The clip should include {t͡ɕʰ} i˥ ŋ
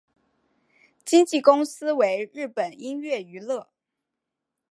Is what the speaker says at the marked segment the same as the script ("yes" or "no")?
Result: no